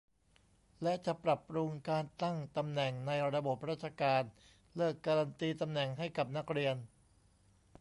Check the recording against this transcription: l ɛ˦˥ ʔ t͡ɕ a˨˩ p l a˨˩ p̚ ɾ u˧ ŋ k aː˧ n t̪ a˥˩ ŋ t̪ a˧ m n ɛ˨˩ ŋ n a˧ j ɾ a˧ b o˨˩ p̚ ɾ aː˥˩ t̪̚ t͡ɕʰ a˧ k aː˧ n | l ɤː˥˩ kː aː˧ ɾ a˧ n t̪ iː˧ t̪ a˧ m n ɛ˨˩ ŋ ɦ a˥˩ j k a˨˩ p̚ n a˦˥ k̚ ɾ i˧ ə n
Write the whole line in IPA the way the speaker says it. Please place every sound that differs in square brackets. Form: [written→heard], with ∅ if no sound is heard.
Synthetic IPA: l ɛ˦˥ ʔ t͡ɕ a˨˩ p [l→ɾ] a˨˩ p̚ ɾ u˧ ŋ k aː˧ n t̪ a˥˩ ŋ t̪ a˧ m n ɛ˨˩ ŋ n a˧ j ɾ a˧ b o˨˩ p̚ ɾ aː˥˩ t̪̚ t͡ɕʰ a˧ k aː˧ n | l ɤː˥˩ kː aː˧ ɾ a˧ n t̪ iː˧ t̪ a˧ m n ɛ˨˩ ŋ ɦ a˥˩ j k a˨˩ p̚ n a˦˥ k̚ ɾ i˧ ə n